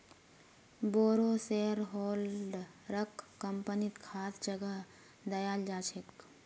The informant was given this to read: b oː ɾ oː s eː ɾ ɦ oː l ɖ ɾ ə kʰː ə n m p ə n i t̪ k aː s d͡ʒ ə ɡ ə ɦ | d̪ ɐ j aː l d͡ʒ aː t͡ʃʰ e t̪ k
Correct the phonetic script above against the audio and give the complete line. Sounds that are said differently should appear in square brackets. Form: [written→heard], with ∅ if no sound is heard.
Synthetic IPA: b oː ɾ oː s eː ɾ ɦ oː l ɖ ɾ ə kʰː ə [n→∅] m p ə n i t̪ [k→kʰ] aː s d͡ʒ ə ɡ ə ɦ | d̪ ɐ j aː l d͡ʒ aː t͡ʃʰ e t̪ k